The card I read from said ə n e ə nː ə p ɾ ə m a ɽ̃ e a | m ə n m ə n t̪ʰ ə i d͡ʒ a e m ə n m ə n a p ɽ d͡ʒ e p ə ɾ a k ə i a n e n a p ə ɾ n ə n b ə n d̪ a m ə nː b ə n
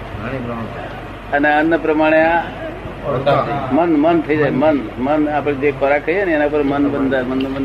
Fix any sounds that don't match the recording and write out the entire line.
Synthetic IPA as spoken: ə n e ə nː ə p ɾ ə m a ɽ̃ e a | m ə n m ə n t̪ʰ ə i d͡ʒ a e m ə n m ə n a p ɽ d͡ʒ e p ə ɾ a k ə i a n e n a p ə ɾ m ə n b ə n d̪ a m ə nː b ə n